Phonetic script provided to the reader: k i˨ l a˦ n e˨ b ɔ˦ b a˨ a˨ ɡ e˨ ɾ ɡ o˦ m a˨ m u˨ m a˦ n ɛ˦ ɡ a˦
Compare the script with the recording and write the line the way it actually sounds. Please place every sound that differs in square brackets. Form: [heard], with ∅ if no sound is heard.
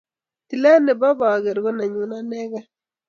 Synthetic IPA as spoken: [t] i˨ l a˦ n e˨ b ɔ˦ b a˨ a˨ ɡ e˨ ɾ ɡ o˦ [n] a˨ [ɲ] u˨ [n] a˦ n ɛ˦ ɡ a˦